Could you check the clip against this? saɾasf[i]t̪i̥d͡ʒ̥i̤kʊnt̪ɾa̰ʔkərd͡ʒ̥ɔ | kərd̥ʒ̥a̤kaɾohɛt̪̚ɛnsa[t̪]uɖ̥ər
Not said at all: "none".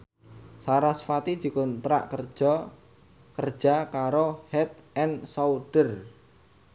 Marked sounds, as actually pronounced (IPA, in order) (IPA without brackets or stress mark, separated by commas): a, none